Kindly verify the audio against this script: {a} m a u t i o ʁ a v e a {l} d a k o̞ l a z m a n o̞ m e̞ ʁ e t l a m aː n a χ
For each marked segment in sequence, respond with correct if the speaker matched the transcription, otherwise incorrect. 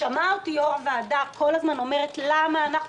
correct, incorrect: none

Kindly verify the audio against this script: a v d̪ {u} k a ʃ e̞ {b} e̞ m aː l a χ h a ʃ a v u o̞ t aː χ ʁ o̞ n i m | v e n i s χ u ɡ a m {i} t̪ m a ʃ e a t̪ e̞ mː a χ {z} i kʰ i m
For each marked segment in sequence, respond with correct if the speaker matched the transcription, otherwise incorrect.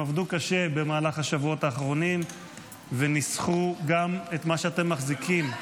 correct, correct, incorrect: e, correct

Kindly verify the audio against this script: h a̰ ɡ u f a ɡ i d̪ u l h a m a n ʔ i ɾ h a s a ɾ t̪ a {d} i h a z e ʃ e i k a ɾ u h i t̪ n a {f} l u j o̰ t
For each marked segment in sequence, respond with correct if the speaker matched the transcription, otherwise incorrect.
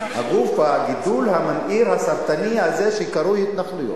incorrect: n, incorrect: χ

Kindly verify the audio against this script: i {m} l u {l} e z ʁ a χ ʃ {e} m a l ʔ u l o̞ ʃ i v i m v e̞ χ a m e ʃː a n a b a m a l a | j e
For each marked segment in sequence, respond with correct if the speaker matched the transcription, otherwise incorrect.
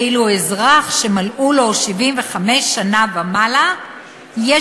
incorrect: none, incorrect: none, correct

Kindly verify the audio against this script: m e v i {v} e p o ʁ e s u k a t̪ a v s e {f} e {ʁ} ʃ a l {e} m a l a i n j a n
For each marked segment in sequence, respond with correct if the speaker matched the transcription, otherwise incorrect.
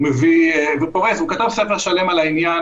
correct, correct, correct, correct

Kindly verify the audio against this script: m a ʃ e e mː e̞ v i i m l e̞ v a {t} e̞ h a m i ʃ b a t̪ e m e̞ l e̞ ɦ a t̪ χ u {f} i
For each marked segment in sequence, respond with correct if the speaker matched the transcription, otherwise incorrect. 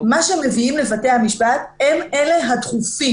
correct, correct

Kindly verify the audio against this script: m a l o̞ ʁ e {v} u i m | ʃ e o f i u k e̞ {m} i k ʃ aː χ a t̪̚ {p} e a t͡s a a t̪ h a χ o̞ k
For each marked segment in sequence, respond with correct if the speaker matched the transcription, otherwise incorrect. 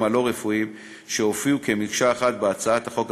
incorrect: f, correct, incorrect: b

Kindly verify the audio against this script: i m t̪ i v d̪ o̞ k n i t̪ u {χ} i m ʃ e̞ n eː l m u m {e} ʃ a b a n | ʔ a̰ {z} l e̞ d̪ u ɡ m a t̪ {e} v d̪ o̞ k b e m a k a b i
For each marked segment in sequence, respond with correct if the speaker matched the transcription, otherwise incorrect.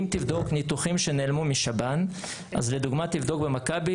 correct, incorrect: i, correct, incorrect: i

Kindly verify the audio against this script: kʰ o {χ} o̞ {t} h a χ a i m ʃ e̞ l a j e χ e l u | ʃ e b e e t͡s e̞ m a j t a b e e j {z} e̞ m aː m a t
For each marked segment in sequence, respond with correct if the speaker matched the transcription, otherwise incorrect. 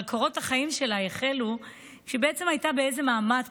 incorrect: ʁ, correct, correct

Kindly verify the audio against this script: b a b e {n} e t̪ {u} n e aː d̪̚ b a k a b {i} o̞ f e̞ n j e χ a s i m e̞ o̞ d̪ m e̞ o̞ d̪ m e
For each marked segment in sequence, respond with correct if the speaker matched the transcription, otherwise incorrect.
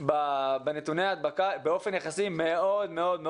correct, correct, incorrect: e

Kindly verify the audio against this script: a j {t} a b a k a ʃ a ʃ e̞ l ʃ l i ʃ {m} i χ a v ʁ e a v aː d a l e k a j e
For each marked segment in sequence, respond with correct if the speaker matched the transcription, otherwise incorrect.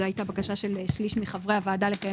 correct, correct

